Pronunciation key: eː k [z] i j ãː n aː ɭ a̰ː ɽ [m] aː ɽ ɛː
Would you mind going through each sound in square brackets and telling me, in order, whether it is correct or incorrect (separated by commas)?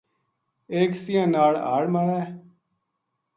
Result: incorrect, correct